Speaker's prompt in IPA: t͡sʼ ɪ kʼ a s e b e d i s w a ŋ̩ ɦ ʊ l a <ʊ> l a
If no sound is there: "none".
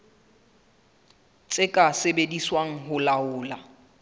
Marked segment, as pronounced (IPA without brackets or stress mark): ʊː